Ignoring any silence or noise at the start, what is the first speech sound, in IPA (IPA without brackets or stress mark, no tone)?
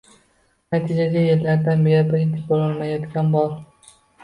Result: n